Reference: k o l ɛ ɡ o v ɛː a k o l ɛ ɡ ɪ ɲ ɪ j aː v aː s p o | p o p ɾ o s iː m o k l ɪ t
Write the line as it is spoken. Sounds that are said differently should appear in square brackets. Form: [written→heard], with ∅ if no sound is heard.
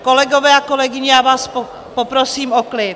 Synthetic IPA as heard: k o l ɛ ɡ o v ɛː a k o l ɛ ɡ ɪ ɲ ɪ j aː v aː s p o | p o p ɾ o s iː m o k l ɪ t